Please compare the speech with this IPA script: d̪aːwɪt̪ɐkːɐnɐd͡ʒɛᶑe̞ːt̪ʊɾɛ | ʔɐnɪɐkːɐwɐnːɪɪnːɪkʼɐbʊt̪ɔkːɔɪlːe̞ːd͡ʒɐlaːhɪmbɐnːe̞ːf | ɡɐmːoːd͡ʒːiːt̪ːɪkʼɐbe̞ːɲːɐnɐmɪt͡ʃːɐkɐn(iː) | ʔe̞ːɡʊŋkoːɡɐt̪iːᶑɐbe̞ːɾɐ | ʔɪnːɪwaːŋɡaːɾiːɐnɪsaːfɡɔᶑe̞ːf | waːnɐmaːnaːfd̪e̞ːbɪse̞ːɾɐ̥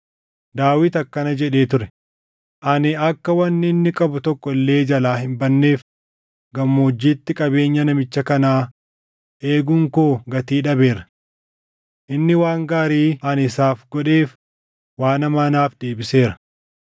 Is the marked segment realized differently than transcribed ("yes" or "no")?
yes